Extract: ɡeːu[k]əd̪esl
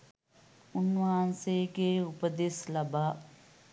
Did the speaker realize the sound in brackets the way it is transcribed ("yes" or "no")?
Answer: no